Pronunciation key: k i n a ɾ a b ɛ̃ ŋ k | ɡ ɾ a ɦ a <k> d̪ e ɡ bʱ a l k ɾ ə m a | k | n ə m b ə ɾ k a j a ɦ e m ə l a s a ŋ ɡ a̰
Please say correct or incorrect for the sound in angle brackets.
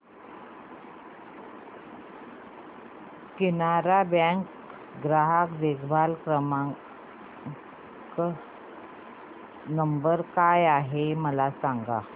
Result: correct